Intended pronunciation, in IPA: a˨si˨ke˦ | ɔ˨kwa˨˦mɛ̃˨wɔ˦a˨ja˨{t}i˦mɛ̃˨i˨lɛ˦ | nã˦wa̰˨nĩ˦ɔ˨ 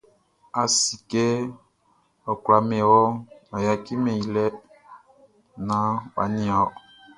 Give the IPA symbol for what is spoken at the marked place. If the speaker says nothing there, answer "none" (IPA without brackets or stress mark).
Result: k